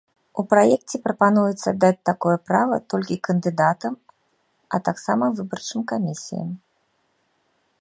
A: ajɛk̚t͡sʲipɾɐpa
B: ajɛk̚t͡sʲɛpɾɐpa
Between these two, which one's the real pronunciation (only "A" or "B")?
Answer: B